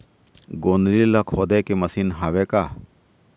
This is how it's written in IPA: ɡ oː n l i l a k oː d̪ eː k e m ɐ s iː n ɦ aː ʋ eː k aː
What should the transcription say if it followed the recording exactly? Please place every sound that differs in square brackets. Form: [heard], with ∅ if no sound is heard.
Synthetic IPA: ɡ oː n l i l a [kʰ] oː d̪ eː k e m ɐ s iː n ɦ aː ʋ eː k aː